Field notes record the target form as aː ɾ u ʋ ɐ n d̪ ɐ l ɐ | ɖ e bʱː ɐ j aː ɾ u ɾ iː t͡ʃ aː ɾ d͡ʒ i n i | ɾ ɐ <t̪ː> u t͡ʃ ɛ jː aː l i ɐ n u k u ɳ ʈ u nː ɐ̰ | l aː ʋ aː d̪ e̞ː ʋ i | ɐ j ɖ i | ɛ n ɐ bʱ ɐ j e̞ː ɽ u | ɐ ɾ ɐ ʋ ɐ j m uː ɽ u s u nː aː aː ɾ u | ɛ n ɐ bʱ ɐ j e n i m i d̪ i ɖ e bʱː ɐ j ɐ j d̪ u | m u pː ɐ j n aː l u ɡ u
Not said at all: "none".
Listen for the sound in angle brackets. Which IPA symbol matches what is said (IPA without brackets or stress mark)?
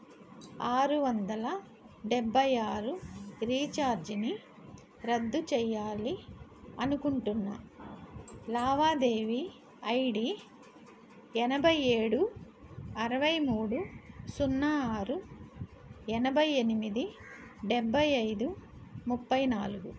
d̪ː